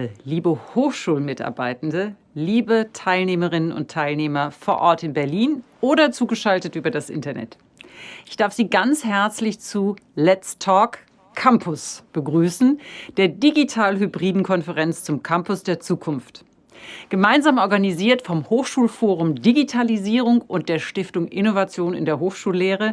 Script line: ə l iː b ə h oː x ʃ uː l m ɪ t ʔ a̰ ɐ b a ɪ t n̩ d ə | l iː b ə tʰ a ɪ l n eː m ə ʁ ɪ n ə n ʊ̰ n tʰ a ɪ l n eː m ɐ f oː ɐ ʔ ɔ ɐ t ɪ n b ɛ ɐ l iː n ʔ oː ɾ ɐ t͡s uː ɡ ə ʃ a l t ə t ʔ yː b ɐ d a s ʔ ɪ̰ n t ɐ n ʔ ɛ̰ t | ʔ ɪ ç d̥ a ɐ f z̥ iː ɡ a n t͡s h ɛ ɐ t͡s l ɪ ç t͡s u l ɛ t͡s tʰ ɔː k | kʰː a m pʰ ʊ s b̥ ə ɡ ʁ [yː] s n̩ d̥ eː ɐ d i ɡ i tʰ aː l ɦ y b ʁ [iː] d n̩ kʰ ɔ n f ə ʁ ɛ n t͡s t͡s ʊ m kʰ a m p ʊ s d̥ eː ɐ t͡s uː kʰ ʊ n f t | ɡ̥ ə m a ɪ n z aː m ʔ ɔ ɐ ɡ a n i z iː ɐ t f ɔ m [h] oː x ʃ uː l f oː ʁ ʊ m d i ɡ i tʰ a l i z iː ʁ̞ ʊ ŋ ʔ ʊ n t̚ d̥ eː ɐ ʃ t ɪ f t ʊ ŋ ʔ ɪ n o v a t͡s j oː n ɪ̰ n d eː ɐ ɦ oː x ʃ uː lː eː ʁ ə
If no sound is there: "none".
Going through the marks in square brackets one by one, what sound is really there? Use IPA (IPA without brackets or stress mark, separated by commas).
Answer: yː, iː, h